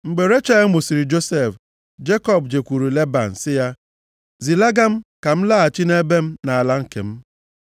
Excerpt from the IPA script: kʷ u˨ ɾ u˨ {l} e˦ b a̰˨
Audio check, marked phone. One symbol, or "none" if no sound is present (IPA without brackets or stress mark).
l